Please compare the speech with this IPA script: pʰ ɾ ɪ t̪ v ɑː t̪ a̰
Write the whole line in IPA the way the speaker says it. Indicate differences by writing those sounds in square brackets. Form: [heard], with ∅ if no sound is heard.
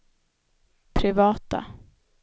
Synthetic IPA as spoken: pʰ ɾ ɪ [∅] v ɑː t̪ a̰